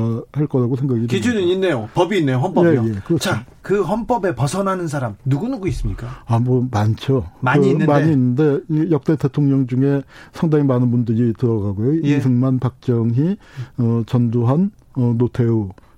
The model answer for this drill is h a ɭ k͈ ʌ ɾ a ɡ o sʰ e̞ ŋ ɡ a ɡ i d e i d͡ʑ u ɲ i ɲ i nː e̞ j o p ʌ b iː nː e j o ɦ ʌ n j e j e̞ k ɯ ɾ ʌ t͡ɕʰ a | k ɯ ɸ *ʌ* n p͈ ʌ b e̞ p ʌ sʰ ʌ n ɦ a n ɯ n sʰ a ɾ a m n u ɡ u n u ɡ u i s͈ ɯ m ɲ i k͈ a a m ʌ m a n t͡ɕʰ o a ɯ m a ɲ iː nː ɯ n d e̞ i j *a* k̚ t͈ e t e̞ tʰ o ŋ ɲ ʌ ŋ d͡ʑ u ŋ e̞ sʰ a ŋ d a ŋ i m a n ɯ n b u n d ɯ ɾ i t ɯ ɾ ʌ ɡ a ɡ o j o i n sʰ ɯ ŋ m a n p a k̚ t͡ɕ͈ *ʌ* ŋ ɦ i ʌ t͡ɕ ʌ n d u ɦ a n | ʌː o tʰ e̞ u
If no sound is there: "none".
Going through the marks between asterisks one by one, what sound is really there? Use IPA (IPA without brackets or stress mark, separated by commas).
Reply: ʌ, ʌ, ʌ